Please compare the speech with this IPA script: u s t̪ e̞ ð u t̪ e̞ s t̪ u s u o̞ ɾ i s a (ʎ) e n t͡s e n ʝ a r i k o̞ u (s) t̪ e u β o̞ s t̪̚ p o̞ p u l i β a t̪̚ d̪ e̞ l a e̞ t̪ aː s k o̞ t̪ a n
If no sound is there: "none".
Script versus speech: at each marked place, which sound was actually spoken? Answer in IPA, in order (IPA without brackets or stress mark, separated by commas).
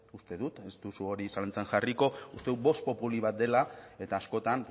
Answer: l, s